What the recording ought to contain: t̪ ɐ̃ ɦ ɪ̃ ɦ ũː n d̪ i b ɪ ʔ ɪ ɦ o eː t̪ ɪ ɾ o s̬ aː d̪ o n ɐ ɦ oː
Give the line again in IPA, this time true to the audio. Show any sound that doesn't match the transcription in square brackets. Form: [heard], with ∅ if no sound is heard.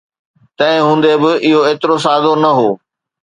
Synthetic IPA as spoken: t̪ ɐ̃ ɦ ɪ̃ ɦ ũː n d̪ [e] b ɪ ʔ ɪ ɦ o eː t̪ ɪ ɾ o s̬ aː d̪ o n ɐ ɦ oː